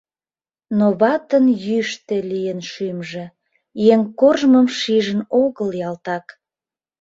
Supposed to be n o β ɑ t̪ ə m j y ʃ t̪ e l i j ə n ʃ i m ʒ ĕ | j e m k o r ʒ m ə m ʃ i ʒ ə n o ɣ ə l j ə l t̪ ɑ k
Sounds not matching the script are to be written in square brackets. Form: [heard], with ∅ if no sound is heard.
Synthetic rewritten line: n o β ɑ t̪ ə [n] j y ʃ t̪ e l i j ə n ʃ [y] m ʒ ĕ | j e [ŋ] k o r ʒ m ə m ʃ i ʒ ə n o ɣ ə l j [ɑ] l t̪ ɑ k